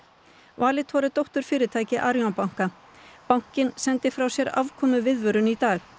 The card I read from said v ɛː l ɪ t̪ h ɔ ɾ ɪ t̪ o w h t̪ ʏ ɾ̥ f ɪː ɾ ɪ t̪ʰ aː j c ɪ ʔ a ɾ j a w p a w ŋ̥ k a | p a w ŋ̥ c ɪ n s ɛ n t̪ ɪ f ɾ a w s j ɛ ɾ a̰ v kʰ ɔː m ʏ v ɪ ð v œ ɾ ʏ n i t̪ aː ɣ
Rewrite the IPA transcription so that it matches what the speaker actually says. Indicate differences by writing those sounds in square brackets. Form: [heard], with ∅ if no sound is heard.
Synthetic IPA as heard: v [aː] l ɪ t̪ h ɔ ɾ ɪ t̪ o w h t̪ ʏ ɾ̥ f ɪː ɾ ɪ t̪ʰ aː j c ɪ ʔ a ɾ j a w p a w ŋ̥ k a | p a w ŋ̥ c ɪ n s ɛ n t̪ ɪ f ɾ a w s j ɛ ɾ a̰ v kʰ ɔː m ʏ v ɪ ð v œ ɾ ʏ n i t̪ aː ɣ